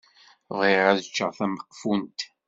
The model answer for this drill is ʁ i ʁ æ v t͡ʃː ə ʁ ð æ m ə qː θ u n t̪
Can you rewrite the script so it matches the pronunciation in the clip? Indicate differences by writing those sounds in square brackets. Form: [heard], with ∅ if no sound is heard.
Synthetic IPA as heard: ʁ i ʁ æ [ð] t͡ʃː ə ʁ [θ] æ m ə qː [f] u n t̪